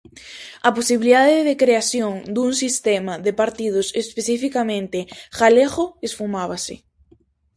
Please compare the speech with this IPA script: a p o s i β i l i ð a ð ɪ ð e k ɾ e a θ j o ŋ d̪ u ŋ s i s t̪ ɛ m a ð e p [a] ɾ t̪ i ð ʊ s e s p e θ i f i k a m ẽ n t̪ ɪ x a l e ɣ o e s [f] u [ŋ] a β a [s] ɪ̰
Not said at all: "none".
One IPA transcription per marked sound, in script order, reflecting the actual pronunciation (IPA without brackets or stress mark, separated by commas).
a, f, m, s